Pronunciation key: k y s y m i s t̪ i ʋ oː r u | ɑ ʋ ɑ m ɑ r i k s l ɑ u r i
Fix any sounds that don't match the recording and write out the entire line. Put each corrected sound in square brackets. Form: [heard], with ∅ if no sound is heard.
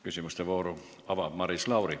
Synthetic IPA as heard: k y s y m [y] s t̪ [e] ʋ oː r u | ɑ ʋ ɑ m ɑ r i [∅] s l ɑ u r i